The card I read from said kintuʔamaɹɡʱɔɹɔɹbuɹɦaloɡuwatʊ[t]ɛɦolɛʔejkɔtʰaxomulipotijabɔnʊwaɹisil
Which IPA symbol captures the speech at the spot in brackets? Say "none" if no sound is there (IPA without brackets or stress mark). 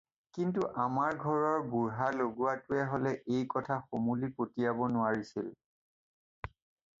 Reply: none